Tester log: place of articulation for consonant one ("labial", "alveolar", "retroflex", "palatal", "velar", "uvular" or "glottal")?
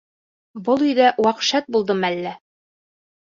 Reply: labial